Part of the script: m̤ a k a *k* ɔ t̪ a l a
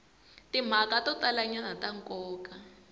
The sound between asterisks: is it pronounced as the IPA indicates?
no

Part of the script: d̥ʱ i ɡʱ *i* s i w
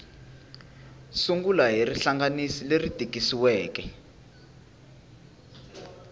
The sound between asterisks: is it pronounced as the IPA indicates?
yes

